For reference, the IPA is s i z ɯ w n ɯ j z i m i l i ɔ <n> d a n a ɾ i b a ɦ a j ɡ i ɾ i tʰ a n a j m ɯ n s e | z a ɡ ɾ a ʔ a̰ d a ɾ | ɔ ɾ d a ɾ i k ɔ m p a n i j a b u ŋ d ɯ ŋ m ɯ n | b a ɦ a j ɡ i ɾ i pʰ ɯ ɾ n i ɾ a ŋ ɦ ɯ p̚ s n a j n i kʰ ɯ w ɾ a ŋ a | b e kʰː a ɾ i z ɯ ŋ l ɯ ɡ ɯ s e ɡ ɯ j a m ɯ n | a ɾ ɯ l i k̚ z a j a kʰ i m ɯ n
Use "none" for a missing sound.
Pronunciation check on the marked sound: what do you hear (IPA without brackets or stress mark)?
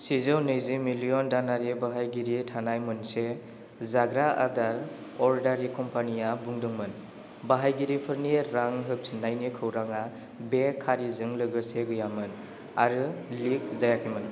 n